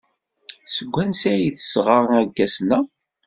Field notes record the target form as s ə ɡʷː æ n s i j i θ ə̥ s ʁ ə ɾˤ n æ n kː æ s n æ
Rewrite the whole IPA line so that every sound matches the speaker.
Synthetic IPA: s ə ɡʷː æ n s æ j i θ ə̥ s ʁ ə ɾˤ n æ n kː æ s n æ